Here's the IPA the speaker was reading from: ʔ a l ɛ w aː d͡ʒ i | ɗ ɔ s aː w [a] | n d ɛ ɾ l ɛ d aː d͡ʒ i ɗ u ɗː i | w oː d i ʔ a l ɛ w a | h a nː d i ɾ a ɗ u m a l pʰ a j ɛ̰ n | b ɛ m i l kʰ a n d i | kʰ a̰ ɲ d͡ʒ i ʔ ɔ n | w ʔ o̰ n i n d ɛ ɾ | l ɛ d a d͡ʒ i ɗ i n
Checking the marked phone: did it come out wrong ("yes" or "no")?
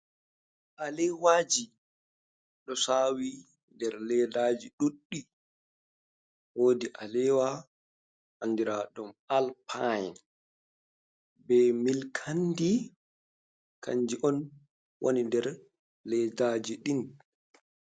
yes